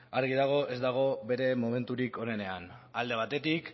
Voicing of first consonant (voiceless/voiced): voiced